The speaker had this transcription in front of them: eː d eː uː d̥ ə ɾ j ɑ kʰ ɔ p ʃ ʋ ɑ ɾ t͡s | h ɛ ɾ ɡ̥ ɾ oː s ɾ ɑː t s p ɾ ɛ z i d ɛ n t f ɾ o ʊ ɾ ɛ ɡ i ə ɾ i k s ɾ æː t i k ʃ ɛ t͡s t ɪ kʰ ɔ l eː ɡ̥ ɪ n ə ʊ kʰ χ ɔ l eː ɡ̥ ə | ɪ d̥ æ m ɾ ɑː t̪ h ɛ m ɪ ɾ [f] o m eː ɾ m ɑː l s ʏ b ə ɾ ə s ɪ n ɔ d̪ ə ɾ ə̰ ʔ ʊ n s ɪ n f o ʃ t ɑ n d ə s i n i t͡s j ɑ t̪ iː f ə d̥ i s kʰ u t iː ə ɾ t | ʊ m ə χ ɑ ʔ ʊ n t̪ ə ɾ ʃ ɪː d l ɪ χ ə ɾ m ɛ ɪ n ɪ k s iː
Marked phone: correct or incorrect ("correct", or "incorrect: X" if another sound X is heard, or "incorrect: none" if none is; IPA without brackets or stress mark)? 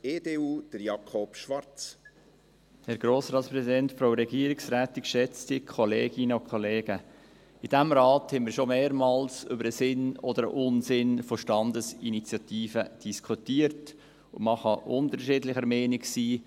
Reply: incorrect: ʃ